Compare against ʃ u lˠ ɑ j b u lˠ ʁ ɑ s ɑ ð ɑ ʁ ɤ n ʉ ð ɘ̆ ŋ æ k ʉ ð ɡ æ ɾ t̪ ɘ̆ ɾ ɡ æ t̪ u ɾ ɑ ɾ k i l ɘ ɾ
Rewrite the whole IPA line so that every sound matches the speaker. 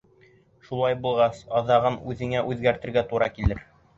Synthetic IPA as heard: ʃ u lˠ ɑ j b u lˠ ʁ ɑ s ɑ ð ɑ ʁ ɤ n ʉ ð ɘ̆ ŋ æ ʔ ʉ ð ɡ æ ɾ t̪ ɘ̆ ɾ ɡ æ t̪ u ɾ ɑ k i l ɘ ɾ